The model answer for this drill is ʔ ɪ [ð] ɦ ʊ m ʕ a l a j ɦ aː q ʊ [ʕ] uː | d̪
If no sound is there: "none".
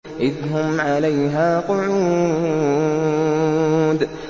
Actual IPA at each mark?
ð, ʕ

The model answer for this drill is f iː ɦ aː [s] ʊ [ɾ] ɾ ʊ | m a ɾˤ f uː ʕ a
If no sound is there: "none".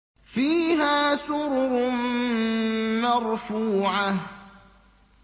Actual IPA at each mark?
s, ɾ

